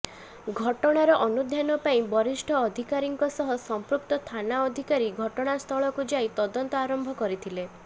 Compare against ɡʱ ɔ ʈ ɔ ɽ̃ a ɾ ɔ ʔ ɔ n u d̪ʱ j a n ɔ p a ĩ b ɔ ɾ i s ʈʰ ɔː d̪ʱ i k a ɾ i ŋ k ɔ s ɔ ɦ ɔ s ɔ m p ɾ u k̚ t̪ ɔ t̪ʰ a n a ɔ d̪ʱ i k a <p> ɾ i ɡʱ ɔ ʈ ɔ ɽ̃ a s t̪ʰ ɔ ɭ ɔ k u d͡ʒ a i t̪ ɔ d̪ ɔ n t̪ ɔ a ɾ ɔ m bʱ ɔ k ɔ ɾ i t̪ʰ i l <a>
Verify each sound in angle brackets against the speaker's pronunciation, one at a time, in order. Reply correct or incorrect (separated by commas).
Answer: incorrect, incorrect